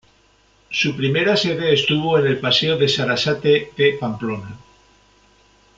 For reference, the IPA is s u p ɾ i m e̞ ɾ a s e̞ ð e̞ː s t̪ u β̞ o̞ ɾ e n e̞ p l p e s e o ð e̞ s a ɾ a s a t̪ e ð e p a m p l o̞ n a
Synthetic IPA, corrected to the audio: s u p ɾ i m e̞ ɾ a s e̞ ð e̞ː s t̪ u β̞ o̞ e n e̞ l p a s e o ð e̞ s a ɾ a s a t̪ e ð e p a m p l o̞ n a